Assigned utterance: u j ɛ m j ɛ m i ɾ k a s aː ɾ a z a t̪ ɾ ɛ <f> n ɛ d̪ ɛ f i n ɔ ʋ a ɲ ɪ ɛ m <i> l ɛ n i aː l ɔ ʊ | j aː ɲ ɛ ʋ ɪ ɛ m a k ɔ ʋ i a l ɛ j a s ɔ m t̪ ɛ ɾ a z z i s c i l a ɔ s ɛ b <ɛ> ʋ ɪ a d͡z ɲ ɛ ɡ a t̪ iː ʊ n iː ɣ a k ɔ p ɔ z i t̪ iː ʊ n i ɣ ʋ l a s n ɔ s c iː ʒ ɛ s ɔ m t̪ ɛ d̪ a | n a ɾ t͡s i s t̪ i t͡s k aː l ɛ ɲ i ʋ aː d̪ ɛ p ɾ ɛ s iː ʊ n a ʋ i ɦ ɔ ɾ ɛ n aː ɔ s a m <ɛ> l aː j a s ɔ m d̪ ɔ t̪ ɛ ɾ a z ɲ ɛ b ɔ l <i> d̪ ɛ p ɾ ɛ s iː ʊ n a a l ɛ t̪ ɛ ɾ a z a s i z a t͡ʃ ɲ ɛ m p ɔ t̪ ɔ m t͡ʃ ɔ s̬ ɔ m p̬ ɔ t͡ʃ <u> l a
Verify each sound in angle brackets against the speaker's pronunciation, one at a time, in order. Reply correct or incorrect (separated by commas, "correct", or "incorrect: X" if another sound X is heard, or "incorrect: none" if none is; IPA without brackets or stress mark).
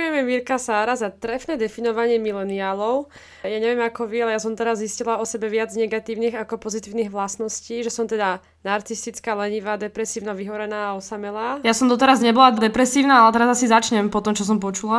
correct, correct, correct, correct, incorrect: a, correct